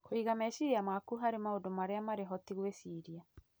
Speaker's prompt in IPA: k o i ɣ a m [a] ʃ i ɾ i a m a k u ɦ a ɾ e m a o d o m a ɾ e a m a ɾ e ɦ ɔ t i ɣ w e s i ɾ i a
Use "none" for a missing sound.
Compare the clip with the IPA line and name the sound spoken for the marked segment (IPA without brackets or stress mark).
ɛ